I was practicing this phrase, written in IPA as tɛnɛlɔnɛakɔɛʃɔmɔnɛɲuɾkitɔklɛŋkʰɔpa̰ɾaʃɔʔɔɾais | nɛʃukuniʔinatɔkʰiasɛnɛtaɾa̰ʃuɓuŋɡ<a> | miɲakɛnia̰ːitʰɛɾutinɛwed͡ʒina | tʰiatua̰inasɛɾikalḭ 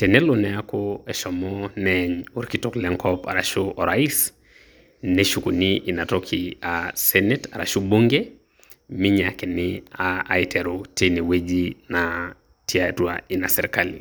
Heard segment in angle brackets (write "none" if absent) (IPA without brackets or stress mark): ɛ